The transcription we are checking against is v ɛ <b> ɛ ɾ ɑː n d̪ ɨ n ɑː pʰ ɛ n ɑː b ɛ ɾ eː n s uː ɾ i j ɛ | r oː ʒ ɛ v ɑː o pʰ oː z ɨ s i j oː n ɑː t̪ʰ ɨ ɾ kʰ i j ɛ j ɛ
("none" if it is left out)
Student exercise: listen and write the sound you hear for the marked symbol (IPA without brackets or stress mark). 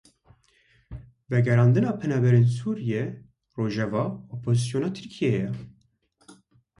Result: ɡ